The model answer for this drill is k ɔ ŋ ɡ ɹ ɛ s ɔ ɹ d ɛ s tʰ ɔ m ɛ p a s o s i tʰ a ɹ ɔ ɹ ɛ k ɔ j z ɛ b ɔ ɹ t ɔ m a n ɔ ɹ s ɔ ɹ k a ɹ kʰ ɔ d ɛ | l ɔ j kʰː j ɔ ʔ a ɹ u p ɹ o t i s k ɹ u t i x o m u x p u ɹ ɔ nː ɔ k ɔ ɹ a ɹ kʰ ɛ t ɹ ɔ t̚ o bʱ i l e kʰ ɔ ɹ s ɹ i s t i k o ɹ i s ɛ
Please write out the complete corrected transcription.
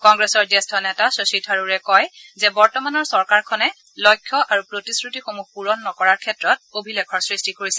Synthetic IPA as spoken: k ɔ ŋ ɡ ɹ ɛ s ɔ ɹ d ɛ s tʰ ɔ n ɛ t a s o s i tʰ a ɹ u ɹ ɛ k ɔ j z ɛ b ɔ ɹ t ɔ m a n ɔ ɹ s ɔ ɹ k a ɹ kʰ ɔ n ɛ | l ɔ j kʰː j ɔ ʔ a ɹ u p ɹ o t i s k ɹ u t i x o m u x p u ɹ ɔ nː ɔ k ɔ ɹ a ɹ kʰ ɛ t ɹ ɔ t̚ o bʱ i l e kʰ ɔ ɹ s ɹ i s t i k o ɹ i s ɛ

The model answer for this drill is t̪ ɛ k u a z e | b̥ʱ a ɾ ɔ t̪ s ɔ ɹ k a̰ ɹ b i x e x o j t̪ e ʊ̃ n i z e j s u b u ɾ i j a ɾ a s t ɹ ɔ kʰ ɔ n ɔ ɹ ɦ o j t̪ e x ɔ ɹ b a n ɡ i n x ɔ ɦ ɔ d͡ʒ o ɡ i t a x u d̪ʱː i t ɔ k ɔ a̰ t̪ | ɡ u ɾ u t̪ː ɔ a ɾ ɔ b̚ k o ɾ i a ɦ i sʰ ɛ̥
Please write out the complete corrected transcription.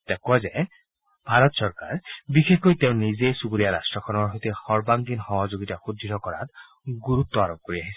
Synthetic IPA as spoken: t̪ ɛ k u a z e | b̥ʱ a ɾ ɔ t̪ s ɔ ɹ k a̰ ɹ b i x e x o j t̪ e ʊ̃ n i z e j s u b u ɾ i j a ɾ a s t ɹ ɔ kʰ ɔ n ɔ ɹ ɦ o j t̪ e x ɔ ɹ b a ŋ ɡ i n x ɔ ɦ ɔ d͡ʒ o ɡ i t a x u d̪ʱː i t ɔ k ɔ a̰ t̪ | ɡ u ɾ u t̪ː ɔ a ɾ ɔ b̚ k o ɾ i a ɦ i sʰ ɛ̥

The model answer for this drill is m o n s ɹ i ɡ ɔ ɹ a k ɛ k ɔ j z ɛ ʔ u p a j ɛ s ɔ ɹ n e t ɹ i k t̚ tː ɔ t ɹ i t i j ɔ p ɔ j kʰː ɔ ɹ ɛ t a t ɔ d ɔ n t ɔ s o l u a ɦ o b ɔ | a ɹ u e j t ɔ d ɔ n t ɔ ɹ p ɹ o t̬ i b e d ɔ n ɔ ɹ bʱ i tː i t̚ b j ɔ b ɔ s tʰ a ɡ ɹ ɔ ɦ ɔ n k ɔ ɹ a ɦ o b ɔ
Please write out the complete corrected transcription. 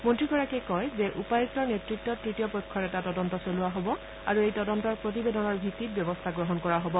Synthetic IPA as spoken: m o n t ɹ i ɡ ɔ ɹ a k ɛ k ɔ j z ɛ ʔ u p a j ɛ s ɔ ɹ n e t ɹ i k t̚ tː ɔ t ɹ i t i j ɔ p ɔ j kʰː ɔ ɹ ɛ t a t ɔ d ɔ n t ɔ s o l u a ɦ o b ɔ | a ɹ u e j t ɔ d ɔ n t ɔ ɹ p ɹ o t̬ i b e d ɔ n ɔ ɹ bʱ i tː i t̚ b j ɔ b ɔ s tʰ a ɡ ɹ ɔ ɦ ɔ n k ɔ ɹ a ɦ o b ɔ

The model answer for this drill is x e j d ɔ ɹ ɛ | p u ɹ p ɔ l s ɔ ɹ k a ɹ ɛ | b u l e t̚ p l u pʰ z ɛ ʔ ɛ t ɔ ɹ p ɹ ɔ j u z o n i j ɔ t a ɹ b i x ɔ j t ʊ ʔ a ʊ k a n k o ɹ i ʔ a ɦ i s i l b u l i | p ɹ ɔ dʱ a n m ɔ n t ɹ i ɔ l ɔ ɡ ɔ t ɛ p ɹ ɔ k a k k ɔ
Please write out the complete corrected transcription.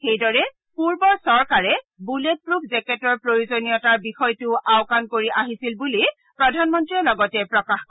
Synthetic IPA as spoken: x e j d ɔ ɹ ɛ | p u ɹ b ɔ ɹ s ɔ ɹ k a ɹ ɛ | b u l e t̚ p ɹ u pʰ z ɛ k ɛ t ɔ ɹ p ɹ o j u z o n i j ɔ t a ɹ b i x ɔ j t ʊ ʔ a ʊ k a n k o ɹ i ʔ a ɦ i s i l b u l i | p ɹ ɔ dʱ a n m ɔ n t ɹ i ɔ l ɔ ɡ ɔ t ɛ p ɹ ɔ k a x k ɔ

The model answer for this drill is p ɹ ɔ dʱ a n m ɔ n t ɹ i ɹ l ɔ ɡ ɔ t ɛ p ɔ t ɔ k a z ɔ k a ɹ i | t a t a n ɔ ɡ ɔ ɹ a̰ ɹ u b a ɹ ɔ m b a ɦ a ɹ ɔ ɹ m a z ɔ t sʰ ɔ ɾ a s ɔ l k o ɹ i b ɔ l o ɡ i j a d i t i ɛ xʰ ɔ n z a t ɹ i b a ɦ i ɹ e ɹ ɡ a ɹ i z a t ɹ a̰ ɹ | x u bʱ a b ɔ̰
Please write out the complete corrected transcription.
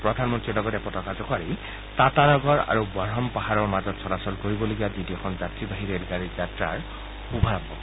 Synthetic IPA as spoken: p ɹ ɔ dʱ a n m ɔ n t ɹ i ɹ l ɔ ɡ ɔ t ɛ p ɔ t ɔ k a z ɔ k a ɹ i | t a t a n ɔ ɡ ɔ ɹ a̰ ɹ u b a ɹ ɔ m p a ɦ a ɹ ɔ ɹ m a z ɔ t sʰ ɔ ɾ a s ɔ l k o ɹ i b ɔ l o ɡ i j a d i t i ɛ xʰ ɔ n z a t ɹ i b a ɦ i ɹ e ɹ ɡ a ɹ i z a t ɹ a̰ ɹ | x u bʱ a b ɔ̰

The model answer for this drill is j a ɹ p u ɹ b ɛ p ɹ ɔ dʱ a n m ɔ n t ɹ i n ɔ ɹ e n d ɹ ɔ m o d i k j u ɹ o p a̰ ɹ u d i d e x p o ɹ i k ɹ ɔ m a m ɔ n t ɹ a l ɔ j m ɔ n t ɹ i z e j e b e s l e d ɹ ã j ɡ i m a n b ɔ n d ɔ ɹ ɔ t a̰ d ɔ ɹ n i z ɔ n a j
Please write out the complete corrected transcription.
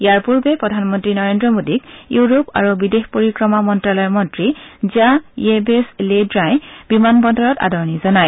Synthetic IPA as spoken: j a ɹ p u ɹ b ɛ p ɹ ɔ dʱ a n m ɔ n t ɹ i n ɔ ɹ e n d ɹ ɔ m o d i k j u ɹ o p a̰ ɹ u b i d e x p o ɹ i k ɹ ɔ m a m ɔ n t ɹ a l ɔ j m ɔ n t ɹ i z a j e b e s l e d ɹ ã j b i m a n b ɔ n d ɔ ɹ ɔ t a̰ d ɔ ɹ n i z ɔ n a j

